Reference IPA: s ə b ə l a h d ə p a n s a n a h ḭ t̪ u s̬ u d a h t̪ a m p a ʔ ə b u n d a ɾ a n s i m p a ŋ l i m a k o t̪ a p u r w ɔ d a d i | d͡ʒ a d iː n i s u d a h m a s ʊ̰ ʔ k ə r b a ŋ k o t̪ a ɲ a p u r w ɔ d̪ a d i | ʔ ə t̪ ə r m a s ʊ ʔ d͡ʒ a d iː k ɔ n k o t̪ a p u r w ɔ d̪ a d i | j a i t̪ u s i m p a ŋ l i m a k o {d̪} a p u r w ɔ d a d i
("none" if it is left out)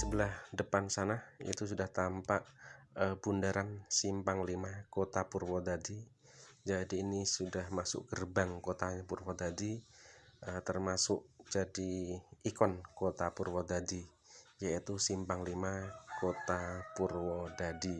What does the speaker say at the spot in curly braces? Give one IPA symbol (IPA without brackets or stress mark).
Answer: t̪